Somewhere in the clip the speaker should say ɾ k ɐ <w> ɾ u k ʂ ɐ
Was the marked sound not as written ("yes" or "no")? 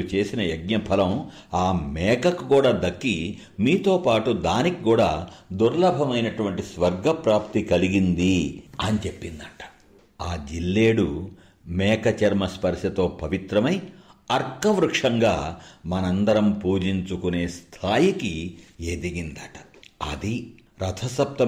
yes